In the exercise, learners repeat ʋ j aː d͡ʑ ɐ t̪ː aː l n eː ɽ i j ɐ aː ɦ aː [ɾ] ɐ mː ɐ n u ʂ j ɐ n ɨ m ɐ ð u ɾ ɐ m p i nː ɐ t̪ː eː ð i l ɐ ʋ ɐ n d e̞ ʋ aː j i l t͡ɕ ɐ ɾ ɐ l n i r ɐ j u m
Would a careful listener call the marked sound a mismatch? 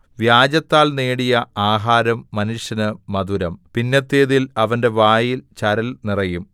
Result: no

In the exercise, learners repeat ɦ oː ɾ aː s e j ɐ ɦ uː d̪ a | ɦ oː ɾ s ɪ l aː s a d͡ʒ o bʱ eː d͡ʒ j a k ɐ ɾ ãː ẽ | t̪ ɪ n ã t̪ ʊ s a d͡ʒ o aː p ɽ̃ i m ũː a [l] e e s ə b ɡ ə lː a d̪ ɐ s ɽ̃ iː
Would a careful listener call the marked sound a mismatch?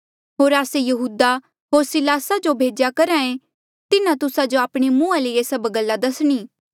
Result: no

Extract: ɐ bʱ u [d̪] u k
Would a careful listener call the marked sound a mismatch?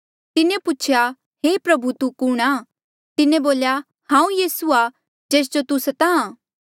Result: yes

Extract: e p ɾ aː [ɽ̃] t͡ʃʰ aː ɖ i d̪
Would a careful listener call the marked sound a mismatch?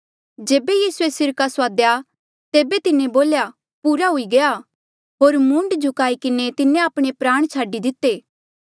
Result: no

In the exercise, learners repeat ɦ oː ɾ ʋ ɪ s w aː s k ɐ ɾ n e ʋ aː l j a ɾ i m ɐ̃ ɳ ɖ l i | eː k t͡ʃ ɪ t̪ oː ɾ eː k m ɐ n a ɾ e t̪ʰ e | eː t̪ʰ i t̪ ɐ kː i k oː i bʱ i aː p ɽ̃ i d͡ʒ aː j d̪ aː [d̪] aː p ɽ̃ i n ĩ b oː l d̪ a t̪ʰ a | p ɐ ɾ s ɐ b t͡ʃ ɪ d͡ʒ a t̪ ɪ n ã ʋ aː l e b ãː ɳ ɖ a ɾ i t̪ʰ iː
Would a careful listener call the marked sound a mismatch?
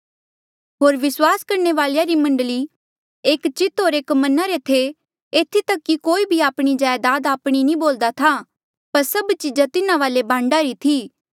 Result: no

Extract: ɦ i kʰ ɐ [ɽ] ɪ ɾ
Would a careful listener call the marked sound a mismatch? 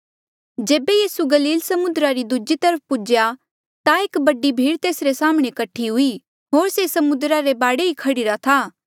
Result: no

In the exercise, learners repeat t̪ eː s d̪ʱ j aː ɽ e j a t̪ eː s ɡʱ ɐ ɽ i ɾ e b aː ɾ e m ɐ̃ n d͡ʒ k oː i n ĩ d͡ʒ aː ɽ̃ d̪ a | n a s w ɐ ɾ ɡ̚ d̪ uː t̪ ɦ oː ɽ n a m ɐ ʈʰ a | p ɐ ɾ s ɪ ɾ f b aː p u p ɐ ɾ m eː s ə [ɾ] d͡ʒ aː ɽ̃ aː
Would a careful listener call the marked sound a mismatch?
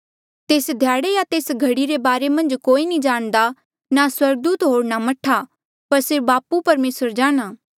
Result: no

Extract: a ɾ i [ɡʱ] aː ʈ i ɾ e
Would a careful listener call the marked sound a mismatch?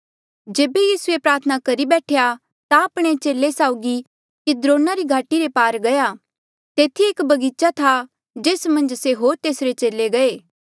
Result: no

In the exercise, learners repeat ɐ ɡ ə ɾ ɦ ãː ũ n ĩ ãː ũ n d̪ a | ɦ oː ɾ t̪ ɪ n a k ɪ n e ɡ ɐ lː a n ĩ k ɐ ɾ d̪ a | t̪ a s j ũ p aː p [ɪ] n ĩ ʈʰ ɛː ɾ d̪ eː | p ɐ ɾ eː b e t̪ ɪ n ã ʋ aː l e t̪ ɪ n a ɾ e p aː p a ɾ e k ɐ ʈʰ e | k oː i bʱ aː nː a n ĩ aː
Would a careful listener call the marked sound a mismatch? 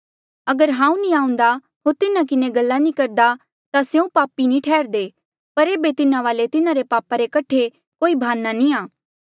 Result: yes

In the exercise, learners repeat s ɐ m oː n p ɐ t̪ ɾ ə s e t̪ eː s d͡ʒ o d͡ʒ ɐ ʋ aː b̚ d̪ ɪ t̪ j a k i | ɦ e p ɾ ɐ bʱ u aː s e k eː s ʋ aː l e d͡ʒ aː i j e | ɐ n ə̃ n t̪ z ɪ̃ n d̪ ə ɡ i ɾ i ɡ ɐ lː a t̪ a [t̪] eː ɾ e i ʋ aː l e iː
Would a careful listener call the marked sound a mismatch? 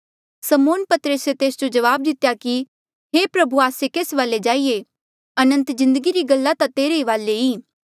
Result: no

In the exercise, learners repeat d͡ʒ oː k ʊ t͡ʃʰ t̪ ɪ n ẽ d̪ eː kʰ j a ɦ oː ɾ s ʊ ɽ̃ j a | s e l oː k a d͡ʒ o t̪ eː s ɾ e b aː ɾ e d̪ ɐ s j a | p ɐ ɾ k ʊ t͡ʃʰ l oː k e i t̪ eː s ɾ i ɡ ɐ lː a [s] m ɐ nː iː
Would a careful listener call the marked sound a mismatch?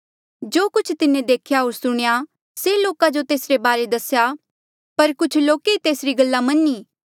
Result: yes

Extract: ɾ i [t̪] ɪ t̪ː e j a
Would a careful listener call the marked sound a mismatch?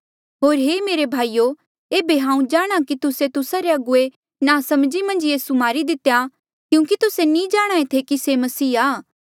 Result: yes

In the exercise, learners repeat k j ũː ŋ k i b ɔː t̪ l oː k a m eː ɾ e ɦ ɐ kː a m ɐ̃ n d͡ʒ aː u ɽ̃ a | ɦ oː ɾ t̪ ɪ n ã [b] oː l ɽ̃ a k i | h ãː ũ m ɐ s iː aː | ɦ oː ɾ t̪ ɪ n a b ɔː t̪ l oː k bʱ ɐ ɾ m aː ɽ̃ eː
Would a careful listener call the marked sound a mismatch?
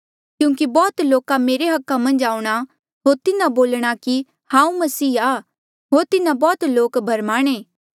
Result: no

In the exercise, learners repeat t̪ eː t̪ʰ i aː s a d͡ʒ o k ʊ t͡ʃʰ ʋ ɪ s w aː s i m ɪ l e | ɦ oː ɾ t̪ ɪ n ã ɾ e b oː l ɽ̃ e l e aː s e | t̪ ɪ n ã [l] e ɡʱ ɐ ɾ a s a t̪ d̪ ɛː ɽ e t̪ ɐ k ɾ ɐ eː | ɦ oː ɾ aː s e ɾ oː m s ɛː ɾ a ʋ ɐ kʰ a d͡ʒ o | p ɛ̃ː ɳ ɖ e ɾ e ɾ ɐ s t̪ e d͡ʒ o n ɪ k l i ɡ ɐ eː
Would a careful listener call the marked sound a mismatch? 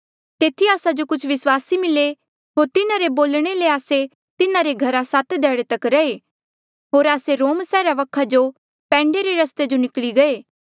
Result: yes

